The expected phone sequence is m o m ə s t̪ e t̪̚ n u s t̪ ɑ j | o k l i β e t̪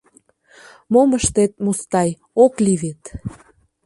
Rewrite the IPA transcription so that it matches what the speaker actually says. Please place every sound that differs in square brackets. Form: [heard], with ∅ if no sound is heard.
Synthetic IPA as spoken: m o m ə [ʃ] t̪ e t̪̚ [m] u s t̪ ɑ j | o k l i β e t̪